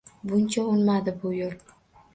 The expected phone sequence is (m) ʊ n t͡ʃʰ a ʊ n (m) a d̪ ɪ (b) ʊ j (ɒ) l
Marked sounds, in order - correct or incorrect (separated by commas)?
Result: incorrect, correct, correct, incorrect